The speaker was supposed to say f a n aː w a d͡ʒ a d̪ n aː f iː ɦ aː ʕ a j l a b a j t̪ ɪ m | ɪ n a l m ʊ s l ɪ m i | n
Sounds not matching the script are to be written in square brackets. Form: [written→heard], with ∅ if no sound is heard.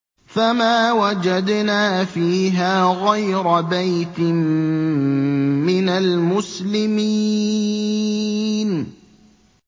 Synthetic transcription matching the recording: f a [n→m] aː w a d͡ʒ a d̪ n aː f iː ɦ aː [ʕ→ɣ] a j [l→ɾ] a b a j t̪ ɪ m | ɪ n a l m ʊ s l ɪ m i | n